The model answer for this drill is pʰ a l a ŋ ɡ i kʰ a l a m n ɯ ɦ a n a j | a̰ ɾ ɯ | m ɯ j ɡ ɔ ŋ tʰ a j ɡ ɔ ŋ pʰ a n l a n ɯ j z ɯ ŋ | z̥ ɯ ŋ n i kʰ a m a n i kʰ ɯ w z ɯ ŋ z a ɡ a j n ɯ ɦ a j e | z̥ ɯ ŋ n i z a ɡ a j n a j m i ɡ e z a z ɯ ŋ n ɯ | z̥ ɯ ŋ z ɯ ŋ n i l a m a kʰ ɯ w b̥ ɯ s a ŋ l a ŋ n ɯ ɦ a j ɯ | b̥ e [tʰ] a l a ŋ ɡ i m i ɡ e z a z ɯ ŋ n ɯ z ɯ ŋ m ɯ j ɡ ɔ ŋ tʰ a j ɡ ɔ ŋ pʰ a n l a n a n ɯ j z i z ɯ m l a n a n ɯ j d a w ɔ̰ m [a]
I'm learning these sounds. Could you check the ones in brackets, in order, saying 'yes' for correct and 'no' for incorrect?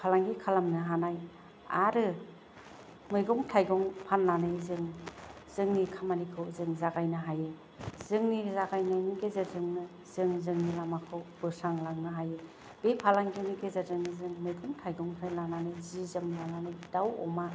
no, yes

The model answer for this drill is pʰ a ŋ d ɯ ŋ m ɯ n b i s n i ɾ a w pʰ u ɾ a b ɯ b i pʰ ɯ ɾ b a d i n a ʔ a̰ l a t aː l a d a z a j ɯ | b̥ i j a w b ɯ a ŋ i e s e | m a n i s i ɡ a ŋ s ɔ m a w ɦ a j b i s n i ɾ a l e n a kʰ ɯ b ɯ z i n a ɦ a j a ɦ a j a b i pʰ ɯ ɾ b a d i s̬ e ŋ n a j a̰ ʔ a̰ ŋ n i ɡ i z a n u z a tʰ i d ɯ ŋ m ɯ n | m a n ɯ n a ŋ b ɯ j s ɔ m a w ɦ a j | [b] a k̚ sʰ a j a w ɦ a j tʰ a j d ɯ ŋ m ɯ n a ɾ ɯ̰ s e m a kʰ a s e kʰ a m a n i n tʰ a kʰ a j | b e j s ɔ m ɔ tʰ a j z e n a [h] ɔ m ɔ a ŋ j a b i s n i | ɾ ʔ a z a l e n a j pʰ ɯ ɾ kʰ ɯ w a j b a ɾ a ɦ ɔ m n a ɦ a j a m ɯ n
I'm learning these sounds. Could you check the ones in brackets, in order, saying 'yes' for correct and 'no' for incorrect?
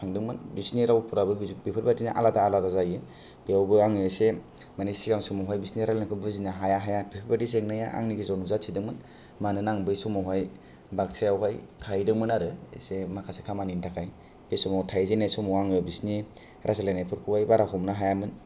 yes, no

